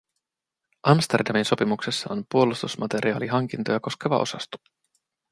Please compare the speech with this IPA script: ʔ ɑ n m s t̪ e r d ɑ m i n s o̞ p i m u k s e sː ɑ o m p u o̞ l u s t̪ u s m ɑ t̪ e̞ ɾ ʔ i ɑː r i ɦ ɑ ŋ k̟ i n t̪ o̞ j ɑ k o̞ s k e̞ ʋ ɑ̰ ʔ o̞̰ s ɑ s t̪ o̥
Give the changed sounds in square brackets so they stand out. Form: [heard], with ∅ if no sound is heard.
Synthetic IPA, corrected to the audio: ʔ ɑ [∅] m s t̪ e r d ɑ m i n s o̞ p i m u k s e sː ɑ o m p u o̞ l u s t̪ u s m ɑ t̪ e̞ ɾ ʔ i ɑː [l] i ɦ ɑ ŋ k̟ i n t̪ o̞ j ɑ k o̞ s k e̞ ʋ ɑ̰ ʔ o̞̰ s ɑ s t̪ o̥